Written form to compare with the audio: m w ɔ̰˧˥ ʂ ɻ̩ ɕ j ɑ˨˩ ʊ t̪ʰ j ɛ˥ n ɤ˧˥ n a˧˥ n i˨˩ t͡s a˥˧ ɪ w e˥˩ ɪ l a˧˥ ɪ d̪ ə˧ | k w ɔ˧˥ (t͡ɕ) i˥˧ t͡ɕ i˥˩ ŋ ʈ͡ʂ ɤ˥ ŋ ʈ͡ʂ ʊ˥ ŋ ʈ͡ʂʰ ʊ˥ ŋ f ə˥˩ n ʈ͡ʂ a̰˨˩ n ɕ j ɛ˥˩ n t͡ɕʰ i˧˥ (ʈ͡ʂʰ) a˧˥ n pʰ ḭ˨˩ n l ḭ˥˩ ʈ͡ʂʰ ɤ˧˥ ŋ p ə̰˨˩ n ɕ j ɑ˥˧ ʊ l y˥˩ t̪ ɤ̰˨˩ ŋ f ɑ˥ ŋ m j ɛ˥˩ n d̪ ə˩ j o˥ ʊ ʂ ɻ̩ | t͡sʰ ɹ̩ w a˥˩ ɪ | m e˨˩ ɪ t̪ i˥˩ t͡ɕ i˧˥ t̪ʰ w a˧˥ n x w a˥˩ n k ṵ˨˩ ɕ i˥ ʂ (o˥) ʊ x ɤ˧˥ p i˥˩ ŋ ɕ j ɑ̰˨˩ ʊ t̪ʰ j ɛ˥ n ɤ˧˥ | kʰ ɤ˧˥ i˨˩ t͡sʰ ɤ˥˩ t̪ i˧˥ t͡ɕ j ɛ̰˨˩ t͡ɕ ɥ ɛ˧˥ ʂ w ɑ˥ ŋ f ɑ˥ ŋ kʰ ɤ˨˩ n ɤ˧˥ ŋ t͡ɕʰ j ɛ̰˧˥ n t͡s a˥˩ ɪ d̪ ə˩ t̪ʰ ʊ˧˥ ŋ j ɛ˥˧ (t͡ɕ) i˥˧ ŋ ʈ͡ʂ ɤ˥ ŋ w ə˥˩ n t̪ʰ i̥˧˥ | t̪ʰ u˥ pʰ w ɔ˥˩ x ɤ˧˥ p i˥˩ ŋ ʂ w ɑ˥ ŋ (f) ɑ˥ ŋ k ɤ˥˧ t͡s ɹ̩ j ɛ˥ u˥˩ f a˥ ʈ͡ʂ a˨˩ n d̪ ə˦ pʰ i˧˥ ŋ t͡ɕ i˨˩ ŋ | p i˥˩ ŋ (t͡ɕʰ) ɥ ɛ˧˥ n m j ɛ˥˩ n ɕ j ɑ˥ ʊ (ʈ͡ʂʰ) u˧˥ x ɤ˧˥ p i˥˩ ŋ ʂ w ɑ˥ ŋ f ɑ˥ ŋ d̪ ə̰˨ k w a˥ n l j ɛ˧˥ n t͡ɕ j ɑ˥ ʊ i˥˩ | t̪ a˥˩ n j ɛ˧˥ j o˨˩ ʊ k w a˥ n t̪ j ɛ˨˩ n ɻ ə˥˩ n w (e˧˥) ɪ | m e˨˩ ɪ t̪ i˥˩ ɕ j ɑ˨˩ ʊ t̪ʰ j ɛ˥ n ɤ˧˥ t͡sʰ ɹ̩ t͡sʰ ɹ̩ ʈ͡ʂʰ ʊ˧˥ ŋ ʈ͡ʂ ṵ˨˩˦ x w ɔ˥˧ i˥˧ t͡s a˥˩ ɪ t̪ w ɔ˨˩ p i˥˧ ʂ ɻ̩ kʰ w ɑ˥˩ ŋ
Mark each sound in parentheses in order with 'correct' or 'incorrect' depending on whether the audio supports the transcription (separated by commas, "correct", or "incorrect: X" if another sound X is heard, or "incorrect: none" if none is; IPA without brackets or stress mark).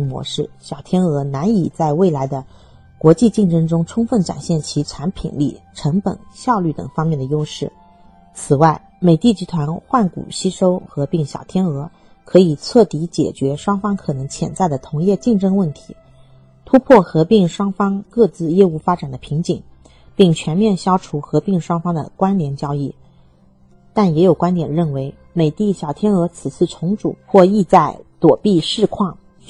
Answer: correct, correct, correct, correct, correct, correct, correct, correct